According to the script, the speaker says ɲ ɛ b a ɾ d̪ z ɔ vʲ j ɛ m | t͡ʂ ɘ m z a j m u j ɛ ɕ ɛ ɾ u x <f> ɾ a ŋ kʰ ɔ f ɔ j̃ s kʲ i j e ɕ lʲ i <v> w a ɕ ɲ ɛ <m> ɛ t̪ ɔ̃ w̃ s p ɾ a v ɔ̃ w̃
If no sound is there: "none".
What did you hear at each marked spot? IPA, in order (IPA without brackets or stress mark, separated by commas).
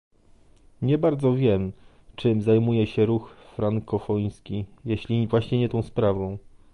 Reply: f, v, ɲ